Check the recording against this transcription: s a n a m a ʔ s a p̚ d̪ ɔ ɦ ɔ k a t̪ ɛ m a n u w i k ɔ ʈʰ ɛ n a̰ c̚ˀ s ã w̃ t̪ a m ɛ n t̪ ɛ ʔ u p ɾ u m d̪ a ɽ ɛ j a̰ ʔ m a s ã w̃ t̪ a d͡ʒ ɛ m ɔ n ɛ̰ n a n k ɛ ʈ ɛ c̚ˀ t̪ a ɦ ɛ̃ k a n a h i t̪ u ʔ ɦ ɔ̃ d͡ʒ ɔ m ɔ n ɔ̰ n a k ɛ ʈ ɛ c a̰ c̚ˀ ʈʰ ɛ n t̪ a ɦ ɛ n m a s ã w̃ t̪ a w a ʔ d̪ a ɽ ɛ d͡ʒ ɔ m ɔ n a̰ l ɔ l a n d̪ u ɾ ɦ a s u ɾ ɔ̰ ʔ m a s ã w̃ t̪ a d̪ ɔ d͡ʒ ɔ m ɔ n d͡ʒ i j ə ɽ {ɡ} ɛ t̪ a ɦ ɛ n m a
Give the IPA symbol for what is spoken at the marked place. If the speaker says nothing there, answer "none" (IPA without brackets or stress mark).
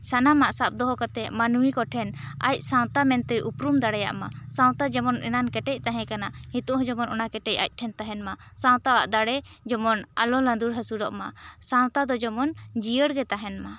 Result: ɡ